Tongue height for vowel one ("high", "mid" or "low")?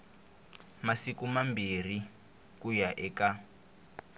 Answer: low